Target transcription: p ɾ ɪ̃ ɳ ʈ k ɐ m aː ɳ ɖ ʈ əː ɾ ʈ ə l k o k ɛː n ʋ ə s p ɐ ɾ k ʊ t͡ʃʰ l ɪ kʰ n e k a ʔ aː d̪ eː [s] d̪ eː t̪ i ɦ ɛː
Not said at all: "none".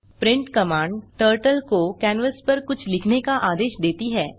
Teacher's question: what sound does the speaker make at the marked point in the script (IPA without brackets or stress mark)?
ʃ